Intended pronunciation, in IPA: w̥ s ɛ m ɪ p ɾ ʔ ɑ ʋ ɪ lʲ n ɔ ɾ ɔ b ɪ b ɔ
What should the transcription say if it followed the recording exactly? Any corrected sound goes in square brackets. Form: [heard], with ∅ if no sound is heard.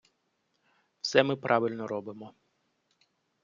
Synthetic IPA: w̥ s ɛ m ɪ p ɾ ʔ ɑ ʋ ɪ lʲ n ɔ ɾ ɔ b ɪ [m] ɔ